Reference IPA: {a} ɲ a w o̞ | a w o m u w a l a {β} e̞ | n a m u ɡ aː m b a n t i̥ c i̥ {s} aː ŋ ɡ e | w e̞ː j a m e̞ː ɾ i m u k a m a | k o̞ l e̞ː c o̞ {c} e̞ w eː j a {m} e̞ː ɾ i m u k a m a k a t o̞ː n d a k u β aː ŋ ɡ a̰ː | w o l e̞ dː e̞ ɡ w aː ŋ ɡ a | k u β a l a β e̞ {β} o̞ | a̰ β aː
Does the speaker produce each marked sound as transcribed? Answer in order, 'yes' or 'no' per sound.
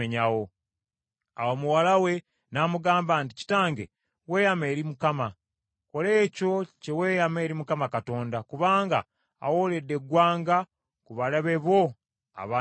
no, no, no, yes, yes, yes

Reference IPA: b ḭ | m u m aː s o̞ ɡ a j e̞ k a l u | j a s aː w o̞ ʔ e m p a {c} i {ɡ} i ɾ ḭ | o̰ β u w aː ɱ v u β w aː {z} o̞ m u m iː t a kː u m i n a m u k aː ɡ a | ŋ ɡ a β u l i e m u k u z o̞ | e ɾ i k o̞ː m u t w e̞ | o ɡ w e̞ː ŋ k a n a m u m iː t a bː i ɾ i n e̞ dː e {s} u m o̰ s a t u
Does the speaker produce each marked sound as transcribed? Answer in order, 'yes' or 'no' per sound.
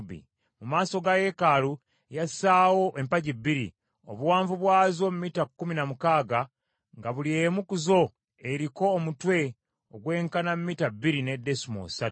no, no, yes, yes

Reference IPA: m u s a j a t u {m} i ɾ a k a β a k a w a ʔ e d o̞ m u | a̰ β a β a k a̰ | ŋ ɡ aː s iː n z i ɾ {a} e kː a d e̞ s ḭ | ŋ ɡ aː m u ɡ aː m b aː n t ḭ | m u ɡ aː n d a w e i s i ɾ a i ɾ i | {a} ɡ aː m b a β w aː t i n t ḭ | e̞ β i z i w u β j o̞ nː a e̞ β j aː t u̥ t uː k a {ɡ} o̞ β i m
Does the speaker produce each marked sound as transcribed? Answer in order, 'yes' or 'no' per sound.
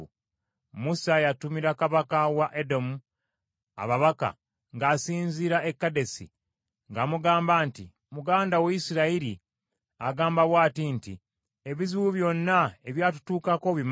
yes, yes, yes, no

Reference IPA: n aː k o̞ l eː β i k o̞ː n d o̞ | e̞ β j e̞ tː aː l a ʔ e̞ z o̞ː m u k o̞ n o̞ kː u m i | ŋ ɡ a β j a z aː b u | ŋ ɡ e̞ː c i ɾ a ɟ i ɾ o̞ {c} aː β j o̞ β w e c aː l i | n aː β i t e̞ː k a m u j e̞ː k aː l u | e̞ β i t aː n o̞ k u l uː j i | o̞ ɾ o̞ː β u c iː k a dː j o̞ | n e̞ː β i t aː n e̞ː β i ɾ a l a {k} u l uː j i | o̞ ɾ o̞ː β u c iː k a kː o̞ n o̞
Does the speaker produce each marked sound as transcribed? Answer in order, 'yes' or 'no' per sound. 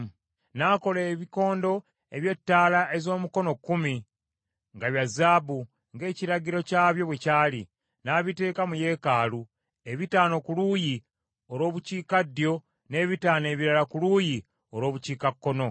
yes, yes

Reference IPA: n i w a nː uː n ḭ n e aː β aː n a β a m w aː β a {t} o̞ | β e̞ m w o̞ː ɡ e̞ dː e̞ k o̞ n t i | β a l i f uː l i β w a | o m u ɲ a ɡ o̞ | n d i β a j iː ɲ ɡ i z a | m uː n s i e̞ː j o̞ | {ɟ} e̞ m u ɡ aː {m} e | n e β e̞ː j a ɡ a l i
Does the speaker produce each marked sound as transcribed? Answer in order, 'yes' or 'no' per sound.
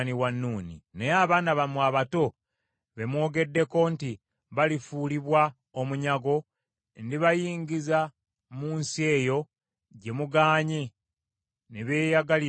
yes, yes, no

